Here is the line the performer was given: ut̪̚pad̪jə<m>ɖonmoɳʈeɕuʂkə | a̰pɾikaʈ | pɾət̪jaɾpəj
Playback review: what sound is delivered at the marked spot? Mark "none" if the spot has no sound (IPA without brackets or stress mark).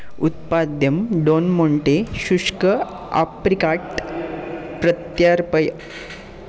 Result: m